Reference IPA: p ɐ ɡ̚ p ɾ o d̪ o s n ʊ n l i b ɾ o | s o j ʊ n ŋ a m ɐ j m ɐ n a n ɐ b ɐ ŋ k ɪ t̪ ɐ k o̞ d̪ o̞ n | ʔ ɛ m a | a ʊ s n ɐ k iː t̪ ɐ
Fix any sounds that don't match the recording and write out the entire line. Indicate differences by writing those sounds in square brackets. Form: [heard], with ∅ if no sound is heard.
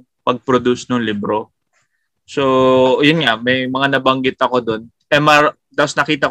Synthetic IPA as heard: p ɐ ɡ̚ p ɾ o d̪ [u] s n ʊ [ŋ] l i b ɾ o | s o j ʊ n ŋ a m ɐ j m ɐ [ŋ] a n ɐ b ɐ ŋ [ɡ] ɪ t̪ ɐ k o̞ d̪ o̞ n | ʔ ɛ m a | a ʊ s n ɐ k iː t̪ ɐ